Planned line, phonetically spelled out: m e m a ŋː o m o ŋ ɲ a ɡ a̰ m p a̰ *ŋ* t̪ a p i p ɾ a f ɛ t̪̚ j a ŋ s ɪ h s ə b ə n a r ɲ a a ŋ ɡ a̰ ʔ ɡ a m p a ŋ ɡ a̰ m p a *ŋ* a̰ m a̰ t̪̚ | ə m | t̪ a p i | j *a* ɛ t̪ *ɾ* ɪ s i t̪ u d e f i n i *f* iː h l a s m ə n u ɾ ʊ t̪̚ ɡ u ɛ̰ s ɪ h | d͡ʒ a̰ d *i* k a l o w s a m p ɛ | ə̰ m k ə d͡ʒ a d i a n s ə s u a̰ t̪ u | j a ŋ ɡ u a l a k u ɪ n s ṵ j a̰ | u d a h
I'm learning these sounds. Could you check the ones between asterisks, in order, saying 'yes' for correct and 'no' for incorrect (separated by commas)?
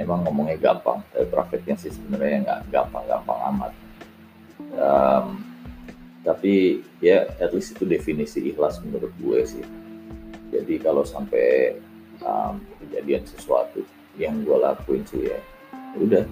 yes, yes, yes, no, no, yes